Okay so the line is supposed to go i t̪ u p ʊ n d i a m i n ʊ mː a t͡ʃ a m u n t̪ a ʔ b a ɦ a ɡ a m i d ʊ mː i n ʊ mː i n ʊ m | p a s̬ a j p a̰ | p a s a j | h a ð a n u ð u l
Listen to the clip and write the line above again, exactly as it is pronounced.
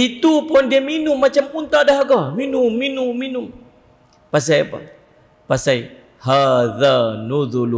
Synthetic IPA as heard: i t̪ u p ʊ n d i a m i n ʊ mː a t͡ʃ a m u n t̪ a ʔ d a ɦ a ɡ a m i n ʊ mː i n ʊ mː i n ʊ m | p a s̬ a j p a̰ | p a s a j | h a ð a n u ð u l